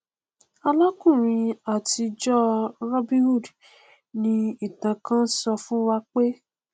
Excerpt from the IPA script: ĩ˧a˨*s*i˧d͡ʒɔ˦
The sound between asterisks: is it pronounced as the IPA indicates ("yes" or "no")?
no